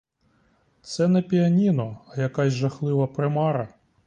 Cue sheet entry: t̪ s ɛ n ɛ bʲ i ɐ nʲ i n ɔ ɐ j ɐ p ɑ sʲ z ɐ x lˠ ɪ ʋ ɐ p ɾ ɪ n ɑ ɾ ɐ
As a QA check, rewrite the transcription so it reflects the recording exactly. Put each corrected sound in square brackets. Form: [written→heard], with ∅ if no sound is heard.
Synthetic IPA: t̪ s ɛ n ɛ [bʲ→pʲ] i ɐ nʲ i n ɔ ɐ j ɐ [p→k] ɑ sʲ [z→ʒ] ɐ x lˠ ɪ ʋ ɐ p ɾ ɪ [n→m] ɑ ɾ ɐ